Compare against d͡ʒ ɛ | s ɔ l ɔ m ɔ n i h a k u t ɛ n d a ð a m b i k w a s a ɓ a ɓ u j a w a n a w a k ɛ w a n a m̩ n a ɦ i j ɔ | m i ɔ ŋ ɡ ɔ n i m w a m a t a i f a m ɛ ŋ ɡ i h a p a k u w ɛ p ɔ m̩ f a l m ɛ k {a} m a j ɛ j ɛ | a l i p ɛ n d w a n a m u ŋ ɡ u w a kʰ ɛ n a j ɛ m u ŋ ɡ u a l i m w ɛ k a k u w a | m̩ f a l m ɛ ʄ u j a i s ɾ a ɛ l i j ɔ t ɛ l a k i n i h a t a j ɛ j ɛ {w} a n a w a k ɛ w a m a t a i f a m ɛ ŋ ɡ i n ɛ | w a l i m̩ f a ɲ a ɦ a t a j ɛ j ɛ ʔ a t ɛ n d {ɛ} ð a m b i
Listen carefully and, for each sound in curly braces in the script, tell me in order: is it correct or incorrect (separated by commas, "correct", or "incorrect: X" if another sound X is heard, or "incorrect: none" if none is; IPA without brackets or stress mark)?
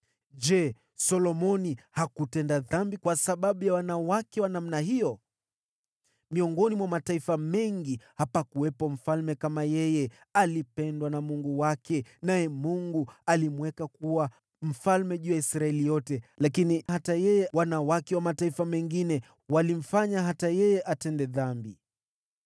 correct, correct, correct